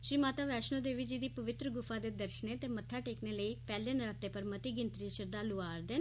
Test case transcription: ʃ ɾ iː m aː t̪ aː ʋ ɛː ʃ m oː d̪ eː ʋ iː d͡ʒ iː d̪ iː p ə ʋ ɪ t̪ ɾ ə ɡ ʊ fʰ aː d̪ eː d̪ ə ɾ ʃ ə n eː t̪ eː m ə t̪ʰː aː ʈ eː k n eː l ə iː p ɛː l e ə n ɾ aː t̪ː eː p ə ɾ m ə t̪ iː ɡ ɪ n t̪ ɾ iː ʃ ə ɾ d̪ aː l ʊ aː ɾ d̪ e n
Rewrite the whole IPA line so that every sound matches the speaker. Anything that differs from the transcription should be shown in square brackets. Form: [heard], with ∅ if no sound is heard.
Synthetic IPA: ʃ ɾ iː m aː t̪ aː ʋ ɛː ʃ [n] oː d̪ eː ʋ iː d͡ʒ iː d̪ iː p ə ʋ ɪ t̪ ɾ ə ɡ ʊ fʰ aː d̪ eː d̪ ə ɾ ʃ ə n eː t̪ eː m ə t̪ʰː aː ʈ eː k n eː l ə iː p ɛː l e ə n ɾ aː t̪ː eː p ə ɾ m ə t̪ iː ɡ ɪ n t̪ ɾ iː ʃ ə ɾ d̪ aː l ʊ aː ɾ d̪ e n

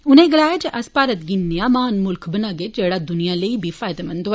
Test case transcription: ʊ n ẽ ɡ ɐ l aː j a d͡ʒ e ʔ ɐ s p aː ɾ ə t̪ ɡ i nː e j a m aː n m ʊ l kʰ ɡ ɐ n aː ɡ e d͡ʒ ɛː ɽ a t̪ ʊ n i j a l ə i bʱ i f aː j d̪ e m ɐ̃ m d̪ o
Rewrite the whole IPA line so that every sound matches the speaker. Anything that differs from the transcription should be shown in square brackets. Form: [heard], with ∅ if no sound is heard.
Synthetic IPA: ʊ n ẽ ɡ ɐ l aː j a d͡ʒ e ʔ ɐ s p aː ɾ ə t̪ ɡ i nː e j a m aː n m ʊ l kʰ [b] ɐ n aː ɡ e d͡ʒ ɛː ɽ a [d̪] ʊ n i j a l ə i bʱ i f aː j d̪ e m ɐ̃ [n] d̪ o

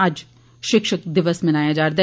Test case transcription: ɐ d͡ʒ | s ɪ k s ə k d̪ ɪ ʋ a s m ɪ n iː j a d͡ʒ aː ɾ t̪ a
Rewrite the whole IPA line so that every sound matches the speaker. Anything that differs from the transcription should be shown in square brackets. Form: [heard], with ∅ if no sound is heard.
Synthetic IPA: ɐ d͡ʒ | [ʃ] ɪ k [ʃ] ə k d̪ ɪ ʋ [ə] s m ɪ n [aː] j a d͡ʒ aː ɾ [d̪] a

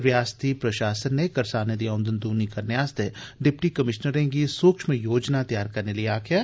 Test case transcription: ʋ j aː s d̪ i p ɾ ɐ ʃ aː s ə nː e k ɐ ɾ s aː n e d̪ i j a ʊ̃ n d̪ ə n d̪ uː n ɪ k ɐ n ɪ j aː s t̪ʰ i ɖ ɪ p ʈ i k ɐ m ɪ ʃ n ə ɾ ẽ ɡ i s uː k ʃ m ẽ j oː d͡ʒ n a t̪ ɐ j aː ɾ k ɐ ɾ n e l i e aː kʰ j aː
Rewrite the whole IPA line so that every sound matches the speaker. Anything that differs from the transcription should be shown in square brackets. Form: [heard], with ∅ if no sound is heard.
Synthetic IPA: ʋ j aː s [t̪] i p ɾ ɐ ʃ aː s ə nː e k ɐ ɾ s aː n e d̪ i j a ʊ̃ n d̪ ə n d̪ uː n [i] k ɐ n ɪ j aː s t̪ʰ [e] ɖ ɪ p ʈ i k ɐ m ɪ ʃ n ə ɾ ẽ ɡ i s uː k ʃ m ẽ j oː d͡ʒ n a t̪ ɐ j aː ɾ k ɐ ɾ n e l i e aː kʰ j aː

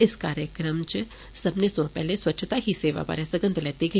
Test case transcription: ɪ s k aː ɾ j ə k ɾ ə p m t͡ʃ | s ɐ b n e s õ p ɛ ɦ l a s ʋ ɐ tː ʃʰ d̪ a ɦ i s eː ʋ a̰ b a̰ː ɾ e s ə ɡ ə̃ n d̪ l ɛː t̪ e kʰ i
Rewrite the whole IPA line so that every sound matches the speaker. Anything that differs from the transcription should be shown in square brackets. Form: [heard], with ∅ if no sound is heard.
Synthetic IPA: ɪ s k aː ɾ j ə k ɾ ə [∅] m t͡ʃ | s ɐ b n e s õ p ɛ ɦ l [e] s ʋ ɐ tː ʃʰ [t̪] a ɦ i s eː ʋ a̰ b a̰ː ɾ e s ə ɡ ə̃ n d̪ l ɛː t̪ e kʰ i

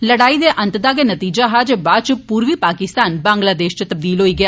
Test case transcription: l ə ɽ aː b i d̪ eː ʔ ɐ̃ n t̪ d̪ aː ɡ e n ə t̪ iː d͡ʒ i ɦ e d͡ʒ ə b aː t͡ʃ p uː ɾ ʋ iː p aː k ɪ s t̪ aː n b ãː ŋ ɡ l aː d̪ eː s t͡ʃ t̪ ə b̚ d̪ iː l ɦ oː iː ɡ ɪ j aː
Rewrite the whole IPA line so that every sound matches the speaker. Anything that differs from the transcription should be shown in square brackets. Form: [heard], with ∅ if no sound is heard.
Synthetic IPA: l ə ɽ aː [∅] i d̪ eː ʔ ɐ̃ n t̪ d̪ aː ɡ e n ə t̪ iː d͡ʒ [a] ɦ [a] d͡ʒ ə b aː t͡ʃ p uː ɾ ʋ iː p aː k ɪ s t̪ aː n b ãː ŋ ɡ l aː d̪ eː [ʃ] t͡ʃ t̪ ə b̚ d̪ iː l ɦ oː iː ɡ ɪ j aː

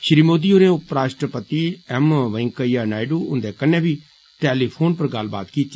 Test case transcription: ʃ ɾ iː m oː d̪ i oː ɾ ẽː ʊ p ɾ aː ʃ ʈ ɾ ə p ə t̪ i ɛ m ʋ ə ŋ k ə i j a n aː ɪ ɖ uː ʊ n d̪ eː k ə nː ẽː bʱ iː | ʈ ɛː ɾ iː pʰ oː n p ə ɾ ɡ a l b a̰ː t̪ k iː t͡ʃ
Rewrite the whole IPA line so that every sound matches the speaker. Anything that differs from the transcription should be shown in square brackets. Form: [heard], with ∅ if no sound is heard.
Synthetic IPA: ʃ ɾ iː m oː d̪ i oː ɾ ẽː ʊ p ɾ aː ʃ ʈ ɾ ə p ə t̪ i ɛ m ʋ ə ŋ k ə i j a n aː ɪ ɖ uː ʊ n d̪ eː k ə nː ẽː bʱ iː | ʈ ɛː [l] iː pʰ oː n p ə ɾ ɡ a l b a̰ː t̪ k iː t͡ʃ

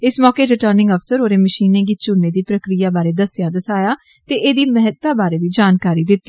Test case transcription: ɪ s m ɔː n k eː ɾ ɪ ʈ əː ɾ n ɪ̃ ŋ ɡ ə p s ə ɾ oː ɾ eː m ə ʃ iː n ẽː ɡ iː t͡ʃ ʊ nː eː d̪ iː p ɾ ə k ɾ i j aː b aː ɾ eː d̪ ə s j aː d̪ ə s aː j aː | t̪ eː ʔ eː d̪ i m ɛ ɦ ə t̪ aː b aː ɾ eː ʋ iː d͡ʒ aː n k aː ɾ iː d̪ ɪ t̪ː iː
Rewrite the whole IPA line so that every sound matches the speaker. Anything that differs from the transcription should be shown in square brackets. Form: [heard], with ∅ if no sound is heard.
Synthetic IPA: ɪ s m ɔː [∅] k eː ɾ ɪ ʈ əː ɾ n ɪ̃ ŋ ɡ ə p s ə ɾ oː ɾ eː m ə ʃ iː n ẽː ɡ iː t͡ʃ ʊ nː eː d̪ iː p ɾ ə k ɾ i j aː b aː ɾ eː d̪ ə s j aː d̪ ə s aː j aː | t̪ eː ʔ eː d̪ [iː] m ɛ ɦ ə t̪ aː b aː ɾ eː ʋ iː d͡ʒ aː n k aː ɾ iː d̪ ɪ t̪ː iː

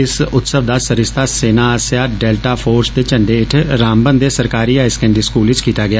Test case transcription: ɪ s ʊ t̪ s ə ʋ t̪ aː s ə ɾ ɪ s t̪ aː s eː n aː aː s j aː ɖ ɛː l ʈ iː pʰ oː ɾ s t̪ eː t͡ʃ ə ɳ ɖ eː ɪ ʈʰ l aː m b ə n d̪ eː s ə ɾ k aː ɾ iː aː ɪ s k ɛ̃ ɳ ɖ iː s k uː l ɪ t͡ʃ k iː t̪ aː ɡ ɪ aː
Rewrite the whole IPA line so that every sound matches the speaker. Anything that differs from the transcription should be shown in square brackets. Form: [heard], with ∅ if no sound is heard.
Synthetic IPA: ɪ s ʊ t̪ s ə ʋ [d̪] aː s ə ɾ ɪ s t̪ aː s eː n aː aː s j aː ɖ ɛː l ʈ [aː] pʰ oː ɾ s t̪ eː t͡ʃ ə ɳ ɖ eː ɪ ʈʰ [ɾ] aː m b ə n d̪ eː s ə ɾ k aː ɾ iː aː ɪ s k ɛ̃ ɳ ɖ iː s k uː l ɪ t͡ʃ k iː t̪ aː ɡ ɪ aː

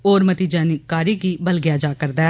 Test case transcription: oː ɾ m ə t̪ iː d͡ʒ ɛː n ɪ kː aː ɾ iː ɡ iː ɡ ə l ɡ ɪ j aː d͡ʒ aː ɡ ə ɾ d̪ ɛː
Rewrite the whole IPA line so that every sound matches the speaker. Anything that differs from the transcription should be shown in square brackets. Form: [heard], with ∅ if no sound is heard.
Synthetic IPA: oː ɾ m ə t̪ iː d͡ʒ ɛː n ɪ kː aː ɾ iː ɡ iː [b] ə l ɡ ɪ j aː d͡ʒ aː [k] ə ɾ d̪ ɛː

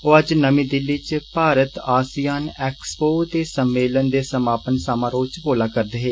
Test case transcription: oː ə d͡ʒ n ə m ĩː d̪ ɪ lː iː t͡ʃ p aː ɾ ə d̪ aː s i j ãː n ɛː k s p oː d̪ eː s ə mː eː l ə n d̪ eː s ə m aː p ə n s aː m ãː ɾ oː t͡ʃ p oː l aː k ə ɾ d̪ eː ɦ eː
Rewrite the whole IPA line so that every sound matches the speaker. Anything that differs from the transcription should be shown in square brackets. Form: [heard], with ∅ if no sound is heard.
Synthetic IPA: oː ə d͡ʒ n ə m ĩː d̪ ɪ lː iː t͡ʃ p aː ɾ ə [t̪] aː s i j [aː] n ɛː k s p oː [t̪] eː s ə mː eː l ə n d̪ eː s ə m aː p ə n s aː m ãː ɾ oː t͡ʃ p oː l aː k ə ɾ d̪ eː ɦ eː

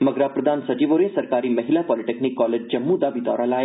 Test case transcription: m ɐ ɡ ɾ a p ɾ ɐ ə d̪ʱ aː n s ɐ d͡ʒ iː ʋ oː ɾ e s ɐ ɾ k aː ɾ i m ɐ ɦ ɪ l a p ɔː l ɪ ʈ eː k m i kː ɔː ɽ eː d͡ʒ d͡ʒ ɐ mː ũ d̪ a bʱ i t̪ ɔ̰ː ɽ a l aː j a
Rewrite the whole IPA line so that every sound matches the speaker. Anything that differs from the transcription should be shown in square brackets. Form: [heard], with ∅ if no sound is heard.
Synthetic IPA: m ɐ ɡ ɾ a p ɾ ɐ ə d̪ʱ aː n s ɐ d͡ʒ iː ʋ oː ɾ e s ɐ ɾ k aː ɾ i m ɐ ɦ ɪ l a p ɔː l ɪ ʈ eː k [n] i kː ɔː [l] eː d͡ʒ d͡ʒ ɐ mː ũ d̪ a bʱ i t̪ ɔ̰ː [ɾ] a l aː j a

